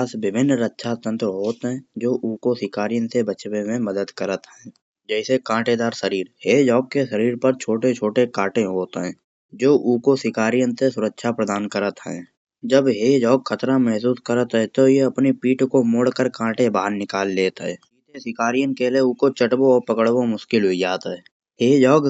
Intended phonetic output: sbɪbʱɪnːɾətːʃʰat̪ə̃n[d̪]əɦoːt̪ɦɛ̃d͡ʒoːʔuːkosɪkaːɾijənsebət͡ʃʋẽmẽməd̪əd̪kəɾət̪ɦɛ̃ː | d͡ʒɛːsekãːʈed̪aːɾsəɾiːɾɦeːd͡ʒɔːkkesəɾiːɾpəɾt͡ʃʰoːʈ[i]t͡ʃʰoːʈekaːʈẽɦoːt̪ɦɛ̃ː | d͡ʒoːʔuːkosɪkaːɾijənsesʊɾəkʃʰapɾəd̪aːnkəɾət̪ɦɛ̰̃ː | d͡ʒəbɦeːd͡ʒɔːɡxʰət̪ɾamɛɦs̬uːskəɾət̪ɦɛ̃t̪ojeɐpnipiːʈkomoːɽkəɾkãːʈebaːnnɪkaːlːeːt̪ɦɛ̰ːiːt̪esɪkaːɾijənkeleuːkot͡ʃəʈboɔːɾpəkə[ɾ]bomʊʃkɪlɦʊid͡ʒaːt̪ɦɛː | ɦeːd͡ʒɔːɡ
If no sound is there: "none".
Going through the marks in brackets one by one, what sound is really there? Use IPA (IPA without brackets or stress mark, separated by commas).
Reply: t̪, e, ɽ